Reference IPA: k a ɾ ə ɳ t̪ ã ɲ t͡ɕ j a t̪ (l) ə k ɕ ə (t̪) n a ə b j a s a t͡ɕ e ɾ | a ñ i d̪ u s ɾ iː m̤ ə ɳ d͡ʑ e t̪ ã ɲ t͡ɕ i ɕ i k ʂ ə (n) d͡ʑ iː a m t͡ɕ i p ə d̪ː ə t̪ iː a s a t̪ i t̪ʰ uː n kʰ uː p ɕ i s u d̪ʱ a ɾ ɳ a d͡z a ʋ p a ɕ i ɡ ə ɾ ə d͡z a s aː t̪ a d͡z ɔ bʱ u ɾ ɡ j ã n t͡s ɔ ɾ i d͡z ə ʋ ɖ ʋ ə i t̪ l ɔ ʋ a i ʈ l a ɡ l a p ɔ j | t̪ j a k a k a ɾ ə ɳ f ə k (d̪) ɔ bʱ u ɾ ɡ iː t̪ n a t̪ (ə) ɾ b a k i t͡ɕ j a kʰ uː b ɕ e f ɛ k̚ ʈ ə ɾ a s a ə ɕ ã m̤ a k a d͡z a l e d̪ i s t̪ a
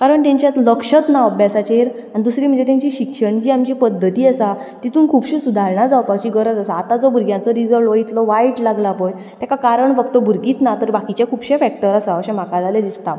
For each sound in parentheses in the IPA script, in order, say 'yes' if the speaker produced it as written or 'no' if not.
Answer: yes, yes, no, no, yes

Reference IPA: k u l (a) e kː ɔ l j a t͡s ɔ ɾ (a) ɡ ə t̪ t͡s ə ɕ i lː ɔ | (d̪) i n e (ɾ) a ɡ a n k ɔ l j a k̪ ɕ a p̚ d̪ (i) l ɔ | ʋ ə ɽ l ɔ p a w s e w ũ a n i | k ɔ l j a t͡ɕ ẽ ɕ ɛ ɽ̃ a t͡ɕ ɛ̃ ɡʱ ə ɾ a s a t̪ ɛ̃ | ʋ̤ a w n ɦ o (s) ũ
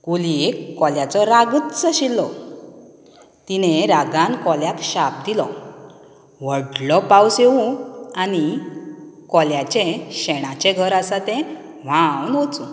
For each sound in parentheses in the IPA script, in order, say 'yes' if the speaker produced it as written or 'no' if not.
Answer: no, yes, no, yes, yes, no

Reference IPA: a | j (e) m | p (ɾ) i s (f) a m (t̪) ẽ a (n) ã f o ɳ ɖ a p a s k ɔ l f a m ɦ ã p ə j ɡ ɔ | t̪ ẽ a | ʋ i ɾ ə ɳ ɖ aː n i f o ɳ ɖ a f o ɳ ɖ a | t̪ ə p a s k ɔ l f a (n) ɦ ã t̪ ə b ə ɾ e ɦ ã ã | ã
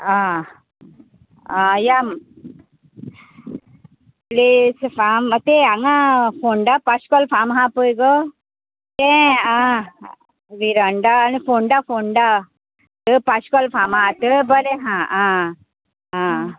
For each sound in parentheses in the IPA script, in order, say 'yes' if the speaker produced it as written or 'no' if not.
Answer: no, no, yes, yes, no, no

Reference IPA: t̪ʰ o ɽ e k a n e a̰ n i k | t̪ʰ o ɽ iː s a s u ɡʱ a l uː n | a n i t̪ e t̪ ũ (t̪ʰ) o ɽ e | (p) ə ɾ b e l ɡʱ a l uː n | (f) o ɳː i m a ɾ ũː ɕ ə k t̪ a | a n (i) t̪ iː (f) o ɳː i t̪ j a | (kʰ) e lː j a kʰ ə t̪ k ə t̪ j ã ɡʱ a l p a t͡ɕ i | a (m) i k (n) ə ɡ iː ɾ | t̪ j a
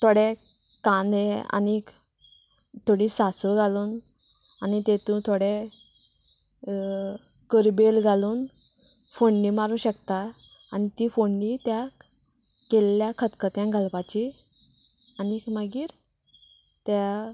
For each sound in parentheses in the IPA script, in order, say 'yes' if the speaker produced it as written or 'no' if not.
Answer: yes, no, yes, yes, yes, no, no, no

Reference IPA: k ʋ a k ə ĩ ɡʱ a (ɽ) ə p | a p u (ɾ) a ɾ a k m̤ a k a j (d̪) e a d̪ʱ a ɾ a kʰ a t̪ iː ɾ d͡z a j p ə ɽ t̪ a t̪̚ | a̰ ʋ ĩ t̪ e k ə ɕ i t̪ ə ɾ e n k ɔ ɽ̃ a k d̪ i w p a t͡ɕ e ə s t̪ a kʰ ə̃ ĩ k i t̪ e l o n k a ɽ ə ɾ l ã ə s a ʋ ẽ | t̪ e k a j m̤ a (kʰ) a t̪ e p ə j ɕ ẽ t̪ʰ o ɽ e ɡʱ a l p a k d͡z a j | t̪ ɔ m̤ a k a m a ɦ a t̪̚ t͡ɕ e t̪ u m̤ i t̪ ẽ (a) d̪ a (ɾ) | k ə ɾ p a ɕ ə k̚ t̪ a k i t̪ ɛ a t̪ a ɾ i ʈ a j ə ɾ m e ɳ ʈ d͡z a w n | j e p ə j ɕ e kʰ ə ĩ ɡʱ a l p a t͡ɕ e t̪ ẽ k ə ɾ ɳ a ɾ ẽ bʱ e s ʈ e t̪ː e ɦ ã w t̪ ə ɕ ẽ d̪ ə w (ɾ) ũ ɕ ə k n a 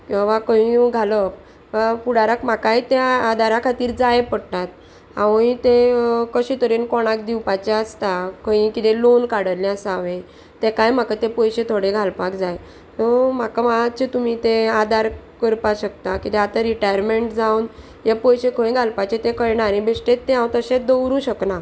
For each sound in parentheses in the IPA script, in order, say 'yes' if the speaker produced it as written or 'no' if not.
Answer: no, no, no, no, yes, yes, yes

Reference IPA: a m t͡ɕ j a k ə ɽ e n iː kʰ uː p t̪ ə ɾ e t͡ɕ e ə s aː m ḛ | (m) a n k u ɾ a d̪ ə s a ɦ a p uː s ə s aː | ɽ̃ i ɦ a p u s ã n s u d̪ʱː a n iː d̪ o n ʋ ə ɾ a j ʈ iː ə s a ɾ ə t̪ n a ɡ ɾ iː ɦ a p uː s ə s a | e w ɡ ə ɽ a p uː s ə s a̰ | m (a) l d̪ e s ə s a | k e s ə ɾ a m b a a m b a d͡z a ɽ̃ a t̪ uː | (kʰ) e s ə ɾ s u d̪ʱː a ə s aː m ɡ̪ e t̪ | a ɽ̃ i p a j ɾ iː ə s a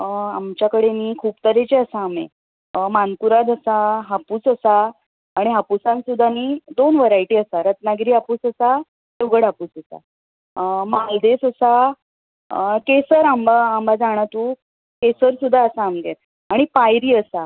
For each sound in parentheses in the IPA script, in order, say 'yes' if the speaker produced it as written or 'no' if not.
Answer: yes, yes, no

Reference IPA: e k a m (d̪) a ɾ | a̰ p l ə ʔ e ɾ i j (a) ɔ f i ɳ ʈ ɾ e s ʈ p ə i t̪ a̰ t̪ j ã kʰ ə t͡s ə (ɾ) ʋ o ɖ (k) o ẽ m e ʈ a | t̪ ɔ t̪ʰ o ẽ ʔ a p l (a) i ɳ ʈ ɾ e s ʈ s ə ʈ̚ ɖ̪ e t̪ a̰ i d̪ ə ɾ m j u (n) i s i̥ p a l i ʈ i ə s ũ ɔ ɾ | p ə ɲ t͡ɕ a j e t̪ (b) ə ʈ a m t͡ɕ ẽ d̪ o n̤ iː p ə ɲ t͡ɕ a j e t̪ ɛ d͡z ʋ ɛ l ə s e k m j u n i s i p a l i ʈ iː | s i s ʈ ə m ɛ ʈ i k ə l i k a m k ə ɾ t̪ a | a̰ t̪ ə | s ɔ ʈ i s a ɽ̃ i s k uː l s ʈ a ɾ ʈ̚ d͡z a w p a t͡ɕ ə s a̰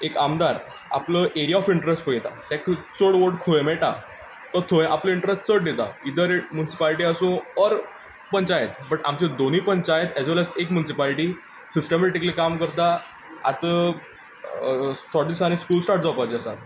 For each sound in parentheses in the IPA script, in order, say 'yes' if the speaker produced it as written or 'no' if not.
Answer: yes, yes, no, no, no, yes, yes

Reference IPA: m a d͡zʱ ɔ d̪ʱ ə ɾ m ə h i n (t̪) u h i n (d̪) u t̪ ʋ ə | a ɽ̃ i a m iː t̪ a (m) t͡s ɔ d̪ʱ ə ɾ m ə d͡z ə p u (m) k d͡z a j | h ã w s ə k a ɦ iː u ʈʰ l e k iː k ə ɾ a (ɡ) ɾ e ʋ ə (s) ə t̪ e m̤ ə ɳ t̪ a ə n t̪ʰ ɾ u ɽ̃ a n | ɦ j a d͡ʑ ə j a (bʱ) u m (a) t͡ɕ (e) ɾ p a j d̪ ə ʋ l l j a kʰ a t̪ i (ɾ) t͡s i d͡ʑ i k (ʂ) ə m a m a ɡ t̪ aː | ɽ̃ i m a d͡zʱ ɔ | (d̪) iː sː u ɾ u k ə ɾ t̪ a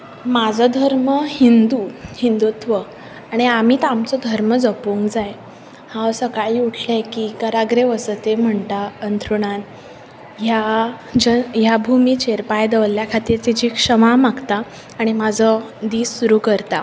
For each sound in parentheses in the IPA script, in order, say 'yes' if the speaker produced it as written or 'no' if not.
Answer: no, yes, yes, no, yes, yes, yes, no, yes, yes, yes, yes

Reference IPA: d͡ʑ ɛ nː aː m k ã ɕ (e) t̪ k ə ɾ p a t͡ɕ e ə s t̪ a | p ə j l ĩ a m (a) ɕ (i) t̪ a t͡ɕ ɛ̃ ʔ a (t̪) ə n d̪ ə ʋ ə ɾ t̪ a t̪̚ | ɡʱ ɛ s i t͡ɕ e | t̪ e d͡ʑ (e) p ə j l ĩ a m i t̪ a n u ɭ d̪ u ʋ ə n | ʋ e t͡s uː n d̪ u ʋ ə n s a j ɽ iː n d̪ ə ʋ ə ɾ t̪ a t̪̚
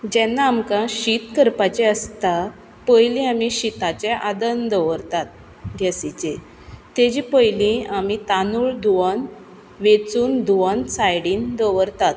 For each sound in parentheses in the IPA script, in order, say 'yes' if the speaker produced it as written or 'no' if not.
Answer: no, no, yes, no, no

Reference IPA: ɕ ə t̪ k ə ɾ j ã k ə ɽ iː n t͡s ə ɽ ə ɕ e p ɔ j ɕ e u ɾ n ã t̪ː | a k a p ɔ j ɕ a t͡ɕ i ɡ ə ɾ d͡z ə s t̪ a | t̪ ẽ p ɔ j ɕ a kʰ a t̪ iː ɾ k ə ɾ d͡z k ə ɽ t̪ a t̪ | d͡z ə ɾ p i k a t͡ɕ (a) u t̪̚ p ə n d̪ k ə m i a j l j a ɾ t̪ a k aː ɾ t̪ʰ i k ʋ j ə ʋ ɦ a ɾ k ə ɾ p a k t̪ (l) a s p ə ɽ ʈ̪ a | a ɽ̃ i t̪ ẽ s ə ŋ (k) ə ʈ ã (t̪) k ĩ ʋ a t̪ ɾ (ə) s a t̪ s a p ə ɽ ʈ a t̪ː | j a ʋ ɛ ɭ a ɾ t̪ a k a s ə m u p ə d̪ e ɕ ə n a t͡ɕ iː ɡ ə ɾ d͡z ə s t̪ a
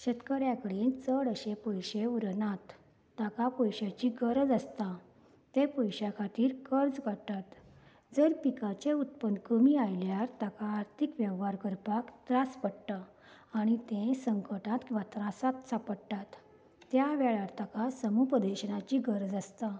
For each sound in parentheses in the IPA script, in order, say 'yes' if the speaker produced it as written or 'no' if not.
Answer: no, no, yes, yes, no

